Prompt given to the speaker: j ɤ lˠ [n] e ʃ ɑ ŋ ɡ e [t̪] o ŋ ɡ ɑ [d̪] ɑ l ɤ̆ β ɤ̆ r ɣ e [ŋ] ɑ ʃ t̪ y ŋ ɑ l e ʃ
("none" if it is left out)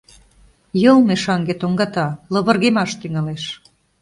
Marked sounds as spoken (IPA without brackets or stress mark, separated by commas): m, t̪, t̪, m